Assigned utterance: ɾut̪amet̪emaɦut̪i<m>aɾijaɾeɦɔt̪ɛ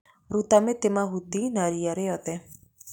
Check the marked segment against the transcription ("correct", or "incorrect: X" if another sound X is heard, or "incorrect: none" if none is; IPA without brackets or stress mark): incorrect: n